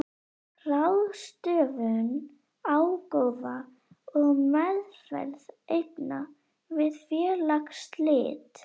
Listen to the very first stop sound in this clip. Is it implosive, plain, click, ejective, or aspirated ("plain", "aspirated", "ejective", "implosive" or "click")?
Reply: plain